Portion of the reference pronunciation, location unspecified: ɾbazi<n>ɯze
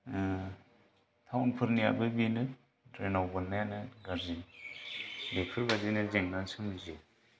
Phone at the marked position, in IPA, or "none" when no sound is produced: n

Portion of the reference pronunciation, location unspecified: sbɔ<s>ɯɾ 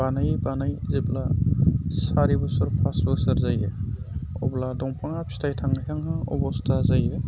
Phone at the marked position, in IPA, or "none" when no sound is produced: s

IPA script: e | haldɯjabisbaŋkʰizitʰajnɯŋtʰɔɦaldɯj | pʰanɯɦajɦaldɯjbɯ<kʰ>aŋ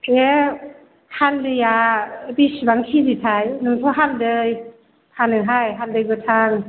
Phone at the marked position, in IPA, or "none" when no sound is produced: tʰ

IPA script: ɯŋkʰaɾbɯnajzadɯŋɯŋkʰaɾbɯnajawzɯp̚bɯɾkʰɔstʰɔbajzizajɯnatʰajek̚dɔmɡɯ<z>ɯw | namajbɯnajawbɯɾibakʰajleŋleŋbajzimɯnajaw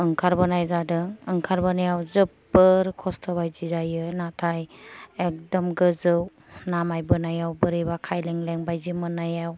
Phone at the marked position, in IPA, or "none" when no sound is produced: z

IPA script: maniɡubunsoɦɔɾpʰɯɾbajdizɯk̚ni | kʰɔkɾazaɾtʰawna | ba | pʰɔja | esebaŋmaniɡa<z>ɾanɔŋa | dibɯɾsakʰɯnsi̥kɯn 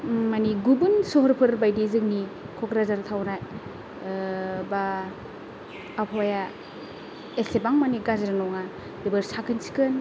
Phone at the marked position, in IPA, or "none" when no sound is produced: z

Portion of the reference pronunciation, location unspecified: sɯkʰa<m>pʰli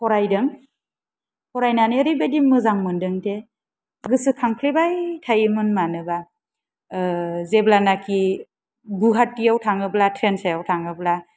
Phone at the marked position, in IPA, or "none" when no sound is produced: ŋ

